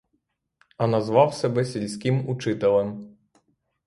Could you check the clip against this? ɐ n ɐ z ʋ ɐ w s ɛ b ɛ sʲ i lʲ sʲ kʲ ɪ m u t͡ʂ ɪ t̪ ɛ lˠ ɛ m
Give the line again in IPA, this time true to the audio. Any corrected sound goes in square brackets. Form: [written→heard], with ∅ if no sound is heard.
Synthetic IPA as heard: ɐ n ɐ z ʋ [ɐ→ɑ] w s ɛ b ɛ sʲ i lʲ sʲ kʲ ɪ m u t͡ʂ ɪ t̪ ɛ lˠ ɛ m